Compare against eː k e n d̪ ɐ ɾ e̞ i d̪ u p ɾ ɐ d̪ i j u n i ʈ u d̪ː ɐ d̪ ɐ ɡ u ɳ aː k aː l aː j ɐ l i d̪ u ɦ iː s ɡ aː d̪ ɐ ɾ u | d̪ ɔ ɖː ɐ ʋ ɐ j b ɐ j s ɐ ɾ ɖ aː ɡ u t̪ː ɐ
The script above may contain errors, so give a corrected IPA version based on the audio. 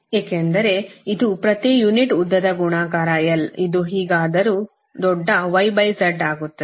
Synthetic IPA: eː k e n d̪ ɐ ɾ e̞ i d̪ u p ɾ ɐ t̪ i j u n i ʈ u d̪ː ɐ d̪ ɐ ɡ u ɳ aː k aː ɾ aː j ɐ l i d̪ u ɦ iː ɡ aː d̪ ɐ ɾ u | d̪ ɔ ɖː ɐ ʋ ɐ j b ɐ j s ɐ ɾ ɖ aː ɡ u t̪ː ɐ